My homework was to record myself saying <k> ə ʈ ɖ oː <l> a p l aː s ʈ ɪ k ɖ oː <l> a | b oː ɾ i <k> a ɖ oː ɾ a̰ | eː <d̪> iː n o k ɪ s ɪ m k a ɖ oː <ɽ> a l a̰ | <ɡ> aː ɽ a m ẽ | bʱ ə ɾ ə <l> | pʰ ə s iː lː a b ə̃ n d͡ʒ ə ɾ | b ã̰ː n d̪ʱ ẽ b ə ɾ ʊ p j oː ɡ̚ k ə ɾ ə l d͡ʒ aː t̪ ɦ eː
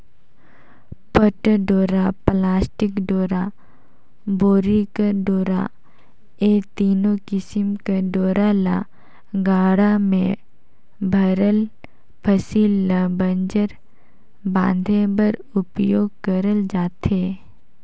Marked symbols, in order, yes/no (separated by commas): no, no, no, yes, no, no, yes, yes